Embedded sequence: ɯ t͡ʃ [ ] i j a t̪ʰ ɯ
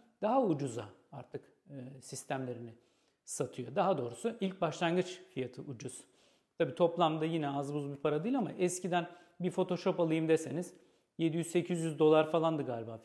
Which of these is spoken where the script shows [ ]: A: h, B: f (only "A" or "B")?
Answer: B